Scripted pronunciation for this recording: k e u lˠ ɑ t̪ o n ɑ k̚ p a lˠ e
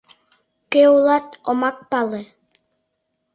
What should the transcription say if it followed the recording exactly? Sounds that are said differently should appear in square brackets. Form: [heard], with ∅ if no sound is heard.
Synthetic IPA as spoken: k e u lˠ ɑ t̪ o [m] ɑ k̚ p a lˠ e